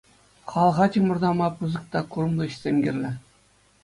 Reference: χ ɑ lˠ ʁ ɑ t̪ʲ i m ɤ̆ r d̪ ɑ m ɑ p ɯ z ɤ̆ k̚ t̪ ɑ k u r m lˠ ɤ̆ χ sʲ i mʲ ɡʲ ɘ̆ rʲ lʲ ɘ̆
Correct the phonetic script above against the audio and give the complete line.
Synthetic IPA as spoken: χ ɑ lˠ ʁ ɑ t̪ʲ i m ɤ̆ r d̪ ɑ m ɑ p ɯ z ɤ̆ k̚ t̪ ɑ k u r m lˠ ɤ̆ ɕ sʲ e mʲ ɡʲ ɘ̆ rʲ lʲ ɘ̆